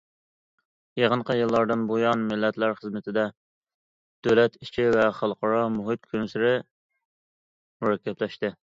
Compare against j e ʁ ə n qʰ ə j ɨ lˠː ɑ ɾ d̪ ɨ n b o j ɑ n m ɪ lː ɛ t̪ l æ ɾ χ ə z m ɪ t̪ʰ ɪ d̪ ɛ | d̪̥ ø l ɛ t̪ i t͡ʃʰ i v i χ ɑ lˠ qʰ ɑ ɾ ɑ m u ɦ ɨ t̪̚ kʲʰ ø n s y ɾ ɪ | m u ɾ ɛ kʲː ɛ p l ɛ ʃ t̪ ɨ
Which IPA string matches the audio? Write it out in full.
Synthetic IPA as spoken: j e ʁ ə n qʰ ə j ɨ lˠː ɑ ɾ d̪ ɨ n b o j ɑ n m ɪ lː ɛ t̪ l æ ɾ χ ə z m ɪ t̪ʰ ɪ d̪ ɛ | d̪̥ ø l ɛ t̪ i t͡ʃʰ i v ɛ χ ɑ lˠ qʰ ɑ ɾ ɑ m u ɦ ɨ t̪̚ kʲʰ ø n s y ɾ ɪ | m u ɾ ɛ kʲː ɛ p l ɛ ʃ t̪ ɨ